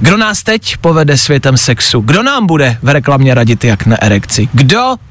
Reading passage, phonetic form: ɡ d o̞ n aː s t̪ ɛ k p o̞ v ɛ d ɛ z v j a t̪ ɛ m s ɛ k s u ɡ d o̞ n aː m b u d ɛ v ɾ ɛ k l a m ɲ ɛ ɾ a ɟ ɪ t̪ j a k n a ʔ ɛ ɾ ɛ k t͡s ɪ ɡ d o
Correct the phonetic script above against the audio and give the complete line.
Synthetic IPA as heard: ɡ d o̞ n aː s t̪ ɛ c p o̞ v ɛ d ɛ s v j ɛ t̪ ɛ m s ɛ k s u ɡ d o̞ n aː m b u d ɛ v ɾ ɛ k l a m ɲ ɛ ɾ a ɟ ɪ t̪ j a k n a ʔ ɛ ɾ ɛ k t͡s ɪ ɡ d o